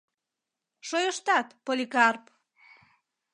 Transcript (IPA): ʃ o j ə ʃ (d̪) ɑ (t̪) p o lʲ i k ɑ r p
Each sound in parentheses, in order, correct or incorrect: incorrect: t̪, correct

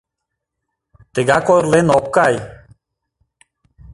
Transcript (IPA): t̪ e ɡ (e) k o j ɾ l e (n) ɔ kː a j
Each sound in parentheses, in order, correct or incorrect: incorrect: a, correct

